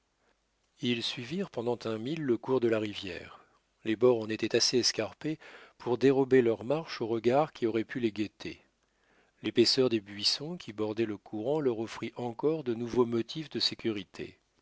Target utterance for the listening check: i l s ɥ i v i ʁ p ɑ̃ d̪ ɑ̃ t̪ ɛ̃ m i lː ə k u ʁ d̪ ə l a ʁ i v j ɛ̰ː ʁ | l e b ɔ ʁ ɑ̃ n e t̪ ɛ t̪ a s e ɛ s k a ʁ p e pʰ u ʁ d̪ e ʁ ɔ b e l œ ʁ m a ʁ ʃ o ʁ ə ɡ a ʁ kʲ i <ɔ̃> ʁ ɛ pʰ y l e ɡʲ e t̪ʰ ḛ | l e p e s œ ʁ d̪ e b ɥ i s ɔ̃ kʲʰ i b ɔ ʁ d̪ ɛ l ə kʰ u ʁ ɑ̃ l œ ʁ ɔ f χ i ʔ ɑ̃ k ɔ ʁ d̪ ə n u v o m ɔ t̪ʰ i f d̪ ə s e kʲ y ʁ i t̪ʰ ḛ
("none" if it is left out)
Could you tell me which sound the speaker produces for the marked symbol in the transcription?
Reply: ɔ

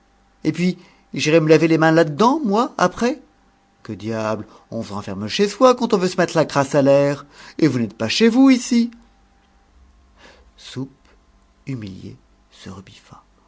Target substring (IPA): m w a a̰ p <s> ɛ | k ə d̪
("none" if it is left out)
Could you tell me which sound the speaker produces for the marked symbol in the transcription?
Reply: χ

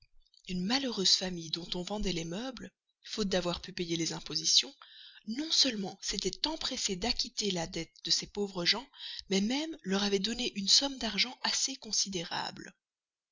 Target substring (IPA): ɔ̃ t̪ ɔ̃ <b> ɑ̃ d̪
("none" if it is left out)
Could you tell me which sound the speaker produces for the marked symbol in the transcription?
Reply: v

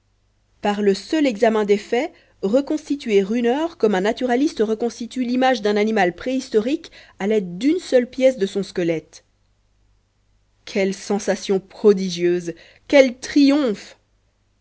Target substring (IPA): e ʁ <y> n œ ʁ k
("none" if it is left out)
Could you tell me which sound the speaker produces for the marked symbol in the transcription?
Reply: y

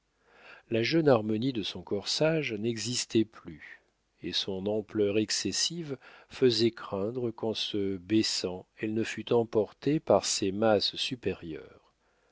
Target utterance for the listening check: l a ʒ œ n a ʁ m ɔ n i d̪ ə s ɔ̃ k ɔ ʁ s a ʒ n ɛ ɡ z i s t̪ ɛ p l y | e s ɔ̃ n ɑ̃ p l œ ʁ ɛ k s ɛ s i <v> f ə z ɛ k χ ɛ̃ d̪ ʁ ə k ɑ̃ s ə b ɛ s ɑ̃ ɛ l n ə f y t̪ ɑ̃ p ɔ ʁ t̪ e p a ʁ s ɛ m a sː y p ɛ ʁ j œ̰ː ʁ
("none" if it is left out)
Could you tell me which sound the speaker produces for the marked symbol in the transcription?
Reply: v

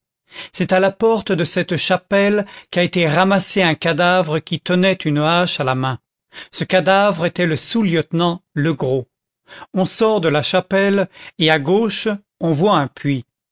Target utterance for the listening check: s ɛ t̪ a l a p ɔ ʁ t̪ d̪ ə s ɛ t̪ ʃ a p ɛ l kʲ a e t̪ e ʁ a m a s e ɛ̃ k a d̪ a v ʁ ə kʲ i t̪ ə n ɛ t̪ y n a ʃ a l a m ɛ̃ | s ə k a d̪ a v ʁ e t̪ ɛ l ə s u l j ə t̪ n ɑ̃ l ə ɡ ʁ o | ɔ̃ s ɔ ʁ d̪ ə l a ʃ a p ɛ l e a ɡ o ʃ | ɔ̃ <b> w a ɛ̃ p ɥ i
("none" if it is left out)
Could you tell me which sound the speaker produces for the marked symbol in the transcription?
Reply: v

